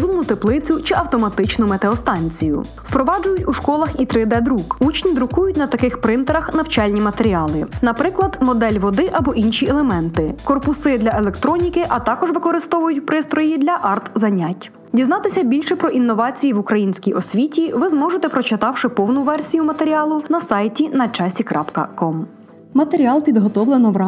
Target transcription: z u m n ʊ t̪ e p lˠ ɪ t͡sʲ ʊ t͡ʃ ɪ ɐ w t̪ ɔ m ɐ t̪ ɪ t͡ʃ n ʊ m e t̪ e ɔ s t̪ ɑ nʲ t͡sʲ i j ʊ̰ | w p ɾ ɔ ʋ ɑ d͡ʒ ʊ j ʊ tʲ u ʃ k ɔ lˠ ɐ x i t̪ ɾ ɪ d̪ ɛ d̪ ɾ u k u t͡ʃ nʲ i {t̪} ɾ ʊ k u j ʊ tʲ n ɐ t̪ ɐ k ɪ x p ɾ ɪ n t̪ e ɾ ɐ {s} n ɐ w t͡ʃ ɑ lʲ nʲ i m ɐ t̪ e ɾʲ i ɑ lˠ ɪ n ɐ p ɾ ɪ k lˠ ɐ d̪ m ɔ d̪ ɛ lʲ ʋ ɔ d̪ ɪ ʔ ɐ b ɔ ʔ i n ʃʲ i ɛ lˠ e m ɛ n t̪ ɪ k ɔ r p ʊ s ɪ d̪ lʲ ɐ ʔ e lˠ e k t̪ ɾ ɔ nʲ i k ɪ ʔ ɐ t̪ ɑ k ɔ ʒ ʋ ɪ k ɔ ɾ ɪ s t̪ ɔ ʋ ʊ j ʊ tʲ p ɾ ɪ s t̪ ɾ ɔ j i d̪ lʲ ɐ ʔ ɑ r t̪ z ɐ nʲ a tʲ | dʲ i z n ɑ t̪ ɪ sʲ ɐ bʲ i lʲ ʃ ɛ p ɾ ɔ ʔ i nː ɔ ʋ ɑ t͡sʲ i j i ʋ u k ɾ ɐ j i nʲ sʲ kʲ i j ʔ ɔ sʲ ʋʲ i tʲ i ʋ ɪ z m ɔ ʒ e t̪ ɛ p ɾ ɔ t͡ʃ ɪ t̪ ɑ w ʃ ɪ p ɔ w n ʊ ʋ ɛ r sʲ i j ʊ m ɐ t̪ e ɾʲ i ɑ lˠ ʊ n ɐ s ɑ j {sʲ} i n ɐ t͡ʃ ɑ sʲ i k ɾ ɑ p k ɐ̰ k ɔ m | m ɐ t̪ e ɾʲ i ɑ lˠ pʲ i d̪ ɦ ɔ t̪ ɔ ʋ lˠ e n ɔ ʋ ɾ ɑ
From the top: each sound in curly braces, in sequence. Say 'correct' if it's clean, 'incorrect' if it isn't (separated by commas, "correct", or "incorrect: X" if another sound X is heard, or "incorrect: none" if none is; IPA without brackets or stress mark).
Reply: incorrect: d̪, incorrect: x, incorrect: tʲ